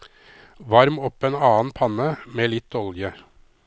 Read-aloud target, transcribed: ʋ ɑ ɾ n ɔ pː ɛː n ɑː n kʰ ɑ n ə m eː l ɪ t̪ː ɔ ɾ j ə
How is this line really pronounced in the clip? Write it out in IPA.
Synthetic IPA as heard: ʋ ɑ ɾ m ɔ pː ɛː n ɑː n pʰ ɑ n ə m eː l ɪ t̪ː ɔ l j ə